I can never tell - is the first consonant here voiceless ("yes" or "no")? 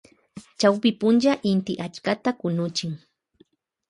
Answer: yes